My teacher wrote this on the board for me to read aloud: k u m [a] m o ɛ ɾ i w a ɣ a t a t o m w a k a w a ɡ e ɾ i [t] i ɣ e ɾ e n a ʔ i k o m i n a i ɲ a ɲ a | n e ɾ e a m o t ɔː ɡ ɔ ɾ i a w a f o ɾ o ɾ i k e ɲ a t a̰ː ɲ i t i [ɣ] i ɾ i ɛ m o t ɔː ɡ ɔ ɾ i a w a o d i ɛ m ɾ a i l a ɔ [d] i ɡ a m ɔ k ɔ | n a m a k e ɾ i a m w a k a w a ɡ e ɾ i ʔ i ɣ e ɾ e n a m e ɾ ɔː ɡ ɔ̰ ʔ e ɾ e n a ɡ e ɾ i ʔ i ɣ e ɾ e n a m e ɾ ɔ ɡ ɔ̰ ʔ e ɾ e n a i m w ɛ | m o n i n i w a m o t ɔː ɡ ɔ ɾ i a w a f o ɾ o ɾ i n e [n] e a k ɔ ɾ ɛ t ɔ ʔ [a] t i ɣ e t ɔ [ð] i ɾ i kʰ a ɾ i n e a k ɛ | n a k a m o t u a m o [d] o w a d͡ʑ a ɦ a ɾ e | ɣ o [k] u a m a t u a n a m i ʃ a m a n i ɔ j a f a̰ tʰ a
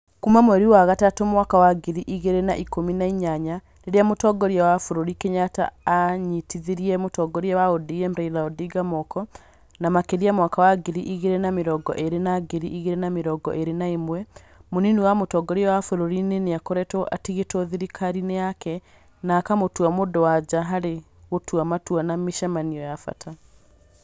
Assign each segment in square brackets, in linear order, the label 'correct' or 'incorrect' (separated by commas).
correct, incorrect, incorrect, correct, correct, correct, correct, correct, incorrect